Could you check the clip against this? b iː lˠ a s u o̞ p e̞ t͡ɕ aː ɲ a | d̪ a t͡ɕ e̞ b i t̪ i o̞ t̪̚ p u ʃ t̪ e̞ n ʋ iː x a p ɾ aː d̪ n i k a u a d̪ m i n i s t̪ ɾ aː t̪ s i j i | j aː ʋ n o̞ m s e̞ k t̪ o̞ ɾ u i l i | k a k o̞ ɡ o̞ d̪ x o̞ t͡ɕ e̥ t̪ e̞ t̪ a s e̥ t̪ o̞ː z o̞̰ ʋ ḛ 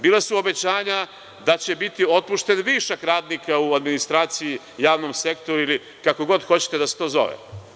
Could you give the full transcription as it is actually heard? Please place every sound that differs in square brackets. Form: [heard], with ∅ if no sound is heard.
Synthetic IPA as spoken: b iː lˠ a s u o̞ [b] e̞ t͡ɕ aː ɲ a | d̪ a t͡ɕ e̞ b i t̪ i o̞ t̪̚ p u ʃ t̪ e̞ n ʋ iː [ʃ] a [k] ɾ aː d̪ n i k a u a d̪ m i n i s t̪ ɾ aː t̪ s i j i | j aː ʋ n o̞ m s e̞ k t̪ o̞ ɾ u i l i | k a k o̞ ɡ o̞ d̪ x o̞ t͡ɕ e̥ t̪ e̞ [d̪] a s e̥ t̪ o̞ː z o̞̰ ʋ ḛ